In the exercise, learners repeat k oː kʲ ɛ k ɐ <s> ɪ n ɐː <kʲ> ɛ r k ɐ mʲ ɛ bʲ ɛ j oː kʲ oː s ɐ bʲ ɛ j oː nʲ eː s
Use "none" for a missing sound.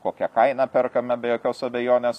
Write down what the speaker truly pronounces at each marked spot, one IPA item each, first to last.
none, pʲ

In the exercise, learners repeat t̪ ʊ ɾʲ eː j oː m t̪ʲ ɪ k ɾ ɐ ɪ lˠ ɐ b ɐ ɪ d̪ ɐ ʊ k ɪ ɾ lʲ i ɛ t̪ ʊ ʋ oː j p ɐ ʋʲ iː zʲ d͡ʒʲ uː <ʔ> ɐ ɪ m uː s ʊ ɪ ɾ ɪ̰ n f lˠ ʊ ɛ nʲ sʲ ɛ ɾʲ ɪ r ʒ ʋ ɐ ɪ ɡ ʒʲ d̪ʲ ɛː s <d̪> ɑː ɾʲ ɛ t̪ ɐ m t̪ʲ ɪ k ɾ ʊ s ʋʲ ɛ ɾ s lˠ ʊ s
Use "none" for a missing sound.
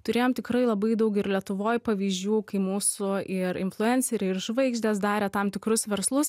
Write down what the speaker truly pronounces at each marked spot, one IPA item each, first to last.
k, d̪

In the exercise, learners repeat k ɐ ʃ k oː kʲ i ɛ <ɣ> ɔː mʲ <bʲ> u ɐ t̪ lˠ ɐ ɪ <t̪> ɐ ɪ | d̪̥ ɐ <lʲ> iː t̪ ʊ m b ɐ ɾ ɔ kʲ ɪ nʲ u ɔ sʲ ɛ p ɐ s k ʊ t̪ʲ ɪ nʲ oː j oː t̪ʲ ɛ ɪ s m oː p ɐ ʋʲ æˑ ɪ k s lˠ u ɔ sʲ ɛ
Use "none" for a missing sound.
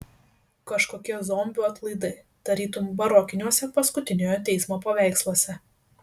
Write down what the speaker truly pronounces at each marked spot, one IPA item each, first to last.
z, bʲ, d̪, ɾʲ

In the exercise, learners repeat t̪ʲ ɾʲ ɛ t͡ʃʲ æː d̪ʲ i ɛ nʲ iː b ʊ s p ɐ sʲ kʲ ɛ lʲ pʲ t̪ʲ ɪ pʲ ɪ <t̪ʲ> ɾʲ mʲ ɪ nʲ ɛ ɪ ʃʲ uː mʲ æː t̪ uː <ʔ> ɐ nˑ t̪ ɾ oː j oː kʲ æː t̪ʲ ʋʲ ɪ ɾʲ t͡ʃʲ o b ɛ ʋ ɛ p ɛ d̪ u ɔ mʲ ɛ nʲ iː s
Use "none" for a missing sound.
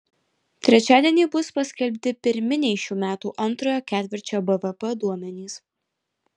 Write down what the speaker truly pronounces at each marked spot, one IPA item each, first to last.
none, ʔ

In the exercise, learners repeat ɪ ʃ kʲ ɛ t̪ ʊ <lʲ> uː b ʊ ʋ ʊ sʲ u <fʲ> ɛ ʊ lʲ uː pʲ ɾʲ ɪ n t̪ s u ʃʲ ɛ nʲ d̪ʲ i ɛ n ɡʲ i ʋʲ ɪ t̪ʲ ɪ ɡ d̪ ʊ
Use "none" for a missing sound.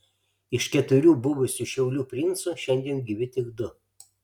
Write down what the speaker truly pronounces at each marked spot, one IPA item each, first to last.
ɾʲ, ʃʲ

